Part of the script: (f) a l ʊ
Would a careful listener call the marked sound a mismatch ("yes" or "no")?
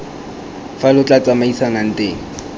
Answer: no